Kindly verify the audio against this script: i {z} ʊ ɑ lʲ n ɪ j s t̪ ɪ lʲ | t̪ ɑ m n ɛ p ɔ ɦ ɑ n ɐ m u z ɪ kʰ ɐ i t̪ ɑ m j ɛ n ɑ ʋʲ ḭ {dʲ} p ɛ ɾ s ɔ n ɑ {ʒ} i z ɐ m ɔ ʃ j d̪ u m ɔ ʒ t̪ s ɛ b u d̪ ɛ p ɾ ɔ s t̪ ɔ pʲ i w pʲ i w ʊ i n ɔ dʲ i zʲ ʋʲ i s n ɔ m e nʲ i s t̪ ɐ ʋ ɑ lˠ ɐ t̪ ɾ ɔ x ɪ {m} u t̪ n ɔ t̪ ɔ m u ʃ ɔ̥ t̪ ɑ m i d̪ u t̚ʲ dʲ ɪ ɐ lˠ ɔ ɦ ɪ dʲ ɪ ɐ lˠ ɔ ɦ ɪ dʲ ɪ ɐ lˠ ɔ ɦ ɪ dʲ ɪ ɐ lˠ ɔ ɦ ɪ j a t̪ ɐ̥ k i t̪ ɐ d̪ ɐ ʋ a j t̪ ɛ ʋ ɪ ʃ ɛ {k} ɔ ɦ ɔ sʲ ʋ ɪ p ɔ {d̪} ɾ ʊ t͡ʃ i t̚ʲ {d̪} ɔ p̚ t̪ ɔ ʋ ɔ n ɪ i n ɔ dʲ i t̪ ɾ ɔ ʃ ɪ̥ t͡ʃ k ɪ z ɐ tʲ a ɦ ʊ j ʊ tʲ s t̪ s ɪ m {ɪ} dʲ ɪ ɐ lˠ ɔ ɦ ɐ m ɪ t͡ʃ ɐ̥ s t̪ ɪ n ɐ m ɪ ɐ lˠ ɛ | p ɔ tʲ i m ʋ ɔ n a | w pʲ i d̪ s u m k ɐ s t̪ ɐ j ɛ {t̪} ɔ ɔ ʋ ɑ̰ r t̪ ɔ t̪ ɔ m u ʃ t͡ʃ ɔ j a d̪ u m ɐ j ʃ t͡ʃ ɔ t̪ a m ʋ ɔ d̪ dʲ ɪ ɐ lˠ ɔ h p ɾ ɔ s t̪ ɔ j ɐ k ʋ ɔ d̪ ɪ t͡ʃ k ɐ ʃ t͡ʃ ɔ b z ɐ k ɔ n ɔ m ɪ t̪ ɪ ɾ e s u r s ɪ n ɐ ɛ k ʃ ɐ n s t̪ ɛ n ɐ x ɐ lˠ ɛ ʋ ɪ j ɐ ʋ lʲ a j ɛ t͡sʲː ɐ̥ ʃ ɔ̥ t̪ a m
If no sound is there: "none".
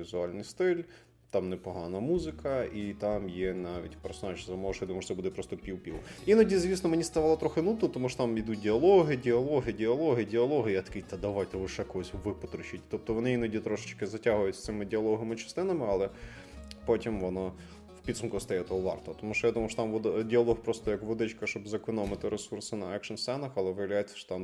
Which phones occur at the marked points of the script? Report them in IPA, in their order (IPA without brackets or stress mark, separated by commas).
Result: z, tʲ, ʒ, n, k, t̪, t̪, ɪ, t̪